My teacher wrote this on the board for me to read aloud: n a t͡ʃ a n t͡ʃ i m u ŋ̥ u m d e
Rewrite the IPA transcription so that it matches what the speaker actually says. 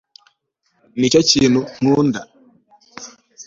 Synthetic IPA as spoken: n i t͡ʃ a t͡ʃ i n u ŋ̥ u n d a

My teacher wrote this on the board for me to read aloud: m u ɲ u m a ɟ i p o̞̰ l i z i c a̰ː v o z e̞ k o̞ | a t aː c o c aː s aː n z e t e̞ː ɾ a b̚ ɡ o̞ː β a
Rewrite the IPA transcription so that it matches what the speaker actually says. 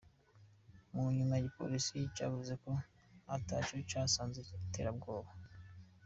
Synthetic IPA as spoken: m u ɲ u m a ɟ i p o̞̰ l i s i c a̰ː v u z e̞ k o̞ | a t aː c o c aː s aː n z e t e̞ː ɾ a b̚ ɡ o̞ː β a

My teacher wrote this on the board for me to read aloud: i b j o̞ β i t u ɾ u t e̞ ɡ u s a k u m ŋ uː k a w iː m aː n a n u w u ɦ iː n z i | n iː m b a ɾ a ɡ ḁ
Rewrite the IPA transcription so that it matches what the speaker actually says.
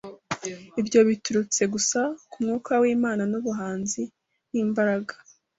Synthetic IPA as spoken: i b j o̞ β i t u ɾ u t͡s e̞ ɡ u s a k u m ŋ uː k a w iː m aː n a n u β u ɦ aː n z i | n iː m b a ɾ a ɡ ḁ

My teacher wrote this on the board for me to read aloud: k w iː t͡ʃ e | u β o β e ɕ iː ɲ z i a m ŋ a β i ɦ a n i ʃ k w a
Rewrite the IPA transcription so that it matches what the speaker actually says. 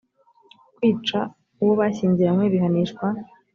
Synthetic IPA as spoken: k w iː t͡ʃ a | u w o β a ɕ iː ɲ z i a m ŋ e β i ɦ a n i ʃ k w a

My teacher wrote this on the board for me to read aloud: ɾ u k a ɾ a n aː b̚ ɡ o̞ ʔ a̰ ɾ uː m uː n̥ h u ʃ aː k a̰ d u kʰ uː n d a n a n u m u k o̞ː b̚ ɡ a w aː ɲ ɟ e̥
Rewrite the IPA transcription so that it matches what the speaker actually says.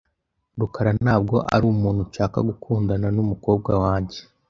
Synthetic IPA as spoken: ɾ u k a ɾ a n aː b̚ ɡ o̞ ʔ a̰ ɾ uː m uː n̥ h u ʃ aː k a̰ ɡ u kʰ uː n d a n a n u m u k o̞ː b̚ ɡ a w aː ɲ ɟ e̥

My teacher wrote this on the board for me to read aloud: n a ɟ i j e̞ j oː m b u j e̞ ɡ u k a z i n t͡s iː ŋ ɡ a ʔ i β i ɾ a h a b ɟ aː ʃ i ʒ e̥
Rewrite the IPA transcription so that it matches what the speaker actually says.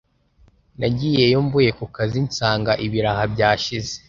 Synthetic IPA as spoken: n a ɟ i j e̞ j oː m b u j e̞ k u k a z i n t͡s aː ŋ ɡ a ʔ i β i ɾ a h a b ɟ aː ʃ i z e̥

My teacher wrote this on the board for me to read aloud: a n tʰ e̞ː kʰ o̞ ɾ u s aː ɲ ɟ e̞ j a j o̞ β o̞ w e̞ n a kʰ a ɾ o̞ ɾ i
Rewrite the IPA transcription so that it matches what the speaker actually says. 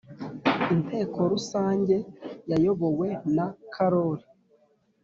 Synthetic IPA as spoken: i n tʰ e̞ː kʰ o̞ ɾ u s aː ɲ ɟ e̞ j a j o̞ β o̞ w e̞ n a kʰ a ɾ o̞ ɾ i

